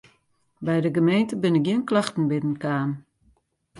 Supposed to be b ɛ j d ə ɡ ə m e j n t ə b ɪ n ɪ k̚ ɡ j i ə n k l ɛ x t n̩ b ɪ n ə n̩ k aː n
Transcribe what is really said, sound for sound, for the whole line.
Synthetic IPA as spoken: b ɛ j d ə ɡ ə m e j n t ə b ɪ n ɪ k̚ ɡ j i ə n k l a x t n̩ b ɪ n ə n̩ k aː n